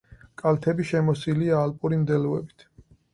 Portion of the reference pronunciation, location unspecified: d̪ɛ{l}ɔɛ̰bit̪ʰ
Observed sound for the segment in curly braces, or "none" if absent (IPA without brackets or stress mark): l